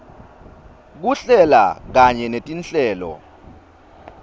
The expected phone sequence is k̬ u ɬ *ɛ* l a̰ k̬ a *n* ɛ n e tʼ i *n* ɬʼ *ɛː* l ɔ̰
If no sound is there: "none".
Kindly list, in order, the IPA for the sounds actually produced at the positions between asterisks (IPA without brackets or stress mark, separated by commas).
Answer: ɛ, ɲ, n, ɛː